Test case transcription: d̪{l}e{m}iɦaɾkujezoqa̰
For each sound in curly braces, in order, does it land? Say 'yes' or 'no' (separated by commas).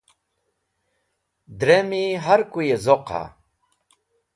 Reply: no, yes